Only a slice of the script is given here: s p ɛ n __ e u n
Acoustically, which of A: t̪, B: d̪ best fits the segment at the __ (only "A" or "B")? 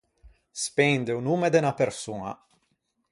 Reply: B